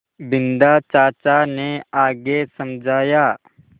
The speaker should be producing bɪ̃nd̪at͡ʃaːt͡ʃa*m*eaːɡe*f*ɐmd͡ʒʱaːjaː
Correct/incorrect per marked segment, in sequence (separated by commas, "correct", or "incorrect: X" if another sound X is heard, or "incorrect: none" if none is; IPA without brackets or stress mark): incorrect: n, incorrect: s